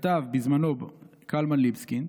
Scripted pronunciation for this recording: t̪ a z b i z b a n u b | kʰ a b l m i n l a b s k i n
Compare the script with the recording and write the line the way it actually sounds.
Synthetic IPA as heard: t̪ a v b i z m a n o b | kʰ a l m a n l i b s k i n